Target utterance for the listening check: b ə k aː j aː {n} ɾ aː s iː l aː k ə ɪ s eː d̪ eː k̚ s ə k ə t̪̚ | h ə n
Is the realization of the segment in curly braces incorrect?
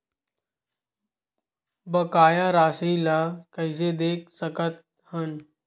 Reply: yes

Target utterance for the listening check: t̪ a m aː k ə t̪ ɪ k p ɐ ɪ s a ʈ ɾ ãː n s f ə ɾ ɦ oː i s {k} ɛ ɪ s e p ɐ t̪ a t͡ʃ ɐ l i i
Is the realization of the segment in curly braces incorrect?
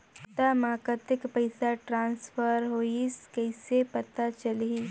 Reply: no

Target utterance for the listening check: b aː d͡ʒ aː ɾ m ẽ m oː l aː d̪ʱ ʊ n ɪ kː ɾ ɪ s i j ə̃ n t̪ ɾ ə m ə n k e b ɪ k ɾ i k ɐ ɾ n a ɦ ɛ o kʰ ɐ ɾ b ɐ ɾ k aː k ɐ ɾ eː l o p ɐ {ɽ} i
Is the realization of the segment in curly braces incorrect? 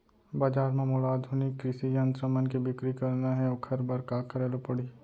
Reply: no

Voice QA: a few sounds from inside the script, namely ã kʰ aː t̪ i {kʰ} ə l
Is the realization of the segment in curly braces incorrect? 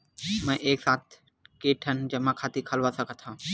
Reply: no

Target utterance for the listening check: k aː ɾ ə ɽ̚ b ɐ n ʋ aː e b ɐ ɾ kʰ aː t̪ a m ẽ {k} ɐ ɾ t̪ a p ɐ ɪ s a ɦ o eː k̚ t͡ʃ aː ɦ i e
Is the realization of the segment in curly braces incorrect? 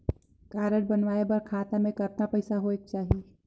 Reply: no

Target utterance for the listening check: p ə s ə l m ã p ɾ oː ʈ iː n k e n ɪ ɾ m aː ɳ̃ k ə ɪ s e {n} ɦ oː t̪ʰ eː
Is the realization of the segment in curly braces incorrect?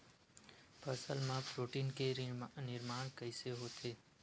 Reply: yes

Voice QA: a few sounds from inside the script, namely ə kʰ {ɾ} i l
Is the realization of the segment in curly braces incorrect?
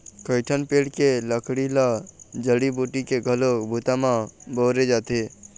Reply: yes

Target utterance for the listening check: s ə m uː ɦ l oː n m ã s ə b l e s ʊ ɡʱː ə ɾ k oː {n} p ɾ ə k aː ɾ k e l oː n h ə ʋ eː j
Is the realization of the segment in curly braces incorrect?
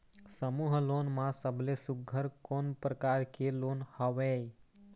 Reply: no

